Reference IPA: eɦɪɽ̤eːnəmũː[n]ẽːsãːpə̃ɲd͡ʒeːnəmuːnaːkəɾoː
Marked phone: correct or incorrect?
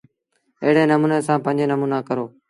correct